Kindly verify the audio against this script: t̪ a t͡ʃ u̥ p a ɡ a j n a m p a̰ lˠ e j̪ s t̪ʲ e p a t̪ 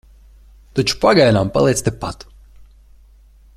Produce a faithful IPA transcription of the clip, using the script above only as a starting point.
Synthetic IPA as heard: t̪ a t͡ʃ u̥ p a ɡ a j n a m p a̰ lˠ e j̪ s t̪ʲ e p a t̪